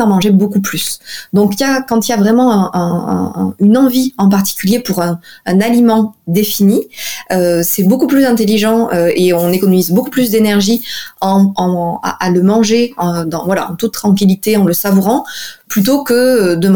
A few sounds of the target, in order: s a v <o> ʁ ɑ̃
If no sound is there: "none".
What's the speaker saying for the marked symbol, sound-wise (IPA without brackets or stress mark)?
u